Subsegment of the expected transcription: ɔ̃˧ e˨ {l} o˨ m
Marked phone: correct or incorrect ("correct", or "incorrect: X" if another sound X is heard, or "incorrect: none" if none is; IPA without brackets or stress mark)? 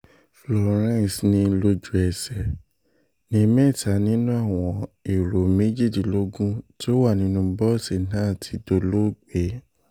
incorrect: ɾ